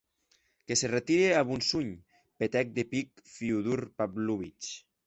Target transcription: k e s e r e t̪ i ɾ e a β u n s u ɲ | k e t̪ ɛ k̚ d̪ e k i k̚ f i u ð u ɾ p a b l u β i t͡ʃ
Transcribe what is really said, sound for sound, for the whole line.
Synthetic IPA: k e s e r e t̪ i ɾ e a β u n s u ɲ | p e t̪ ɛ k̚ d̪ e p i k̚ f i u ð u ɾ p a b l u β i t͡ʃ